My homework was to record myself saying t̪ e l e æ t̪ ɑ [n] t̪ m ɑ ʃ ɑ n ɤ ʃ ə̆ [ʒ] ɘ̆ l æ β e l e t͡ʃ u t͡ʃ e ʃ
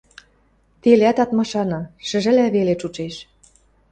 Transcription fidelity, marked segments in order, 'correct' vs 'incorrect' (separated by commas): incorrect, correct